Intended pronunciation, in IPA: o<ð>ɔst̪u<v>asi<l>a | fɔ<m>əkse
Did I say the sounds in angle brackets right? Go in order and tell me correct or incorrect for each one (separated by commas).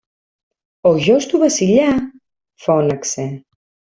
incorrect, incorrect, incorrect, incorrect